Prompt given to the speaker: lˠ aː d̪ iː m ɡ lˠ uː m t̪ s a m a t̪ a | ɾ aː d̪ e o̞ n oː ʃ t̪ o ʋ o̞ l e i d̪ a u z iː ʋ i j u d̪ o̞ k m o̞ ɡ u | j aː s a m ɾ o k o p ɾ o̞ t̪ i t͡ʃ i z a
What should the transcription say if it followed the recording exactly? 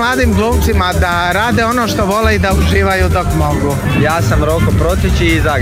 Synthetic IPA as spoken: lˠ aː d̪ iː m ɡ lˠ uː m t̪ s i m a d̪ a | ɾ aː d̪ e o̞ n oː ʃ t̪ o ʋ o̞ l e i d̪ a u ʒ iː ʋ a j u d̪ o̞ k m o̞ ɡ u | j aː s a m ɾ o k o p ɾ o̞ t̪ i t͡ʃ i z a